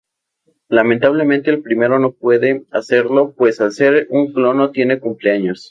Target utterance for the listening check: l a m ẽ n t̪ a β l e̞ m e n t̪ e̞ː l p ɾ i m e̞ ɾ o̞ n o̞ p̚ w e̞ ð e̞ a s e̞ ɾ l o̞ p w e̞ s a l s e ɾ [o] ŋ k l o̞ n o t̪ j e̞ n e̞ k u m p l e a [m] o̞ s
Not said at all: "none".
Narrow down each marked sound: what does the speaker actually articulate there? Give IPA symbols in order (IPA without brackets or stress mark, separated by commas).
u, ɲ